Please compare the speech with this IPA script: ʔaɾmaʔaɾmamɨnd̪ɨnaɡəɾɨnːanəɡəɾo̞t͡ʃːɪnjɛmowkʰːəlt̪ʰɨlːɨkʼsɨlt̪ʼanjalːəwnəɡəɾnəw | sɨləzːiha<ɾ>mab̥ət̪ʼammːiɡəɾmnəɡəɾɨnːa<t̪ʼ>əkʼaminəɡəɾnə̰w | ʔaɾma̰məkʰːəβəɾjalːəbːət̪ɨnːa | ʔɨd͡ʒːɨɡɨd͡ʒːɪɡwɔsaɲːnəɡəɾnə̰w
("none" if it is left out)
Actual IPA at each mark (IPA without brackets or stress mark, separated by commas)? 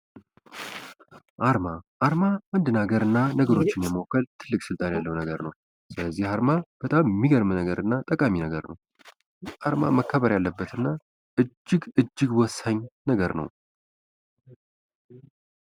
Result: ɾ, t̪ʼ